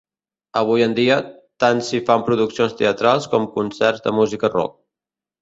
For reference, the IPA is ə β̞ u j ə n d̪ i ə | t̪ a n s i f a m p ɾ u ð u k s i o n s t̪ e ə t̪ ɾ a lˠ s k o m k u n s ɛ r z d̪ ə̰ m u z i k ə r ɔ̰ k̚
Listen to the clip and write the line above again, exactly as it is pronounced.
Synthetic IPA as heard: ə β̞ u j ə n d̪ i ə | t̪ a n s i f a m p ɾ u ð u k s i o n s t̪ e ə t̪ ɾ a lˠ s k ɔ m k u n s ɛ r z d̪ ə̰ m u z i k ə r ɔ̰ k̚